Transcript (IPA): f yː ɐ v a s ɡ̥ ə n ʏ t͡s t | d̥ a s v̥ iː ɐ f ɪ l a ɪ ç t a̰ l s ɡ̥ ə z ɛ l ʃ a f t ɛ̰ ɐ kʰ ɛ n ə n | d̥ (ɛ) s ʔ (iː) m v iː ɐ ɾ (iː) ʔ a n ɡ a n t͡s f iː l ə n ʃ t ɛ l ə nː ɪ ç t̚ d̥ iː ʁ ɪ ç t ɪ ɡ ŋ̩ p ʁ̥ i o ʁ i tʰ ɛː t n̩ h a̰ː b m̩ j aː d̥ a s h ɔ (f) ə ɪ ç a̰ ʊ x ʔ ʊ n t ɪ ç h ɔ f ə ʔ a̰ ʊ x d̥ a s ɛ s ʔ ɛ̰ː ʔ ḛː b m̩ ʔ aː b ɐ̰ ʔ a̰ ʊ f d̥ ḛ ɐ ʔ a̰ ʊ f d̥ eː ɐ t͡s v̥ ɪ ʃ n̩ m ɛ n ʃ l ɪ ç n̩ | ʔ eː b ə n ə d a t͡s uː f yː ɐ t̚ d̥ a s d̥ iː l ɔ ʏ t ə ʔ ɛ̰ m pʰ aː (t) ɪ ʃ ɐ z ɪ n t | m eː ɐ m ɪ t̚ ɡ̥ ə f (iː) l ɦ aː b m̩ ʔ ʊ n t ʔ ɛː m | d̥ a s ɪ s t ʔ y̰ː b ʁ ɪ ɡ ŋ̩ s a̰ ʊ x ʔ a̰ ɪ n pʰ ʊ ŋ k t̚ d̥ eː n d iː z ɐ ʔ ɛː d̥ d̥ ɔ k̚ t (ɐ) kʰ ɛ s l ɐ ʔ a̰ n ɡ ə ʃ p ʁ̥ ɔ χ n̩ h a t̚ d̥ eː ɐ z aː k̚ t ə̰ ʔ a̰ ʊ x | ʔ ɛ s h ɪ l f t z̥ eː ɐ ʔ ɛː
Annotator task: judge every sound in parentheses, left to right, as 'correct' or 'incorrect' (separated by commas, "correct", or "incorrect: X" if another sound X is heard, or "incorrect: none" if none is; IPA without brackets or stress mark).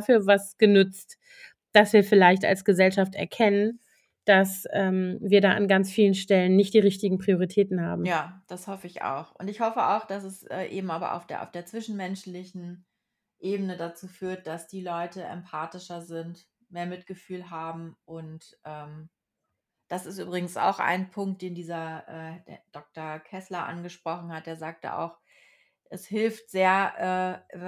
incorrect: a, incorrect: ɛː, incorrect: aː, correct, correct, incorrect: yː, correct